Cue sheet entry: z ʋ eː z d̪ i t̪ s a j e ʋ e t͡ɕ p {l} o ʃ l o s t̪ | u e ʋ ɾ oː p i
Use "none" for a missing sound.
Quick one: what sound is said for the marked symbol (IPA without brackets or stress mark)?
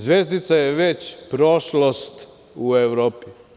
ɾ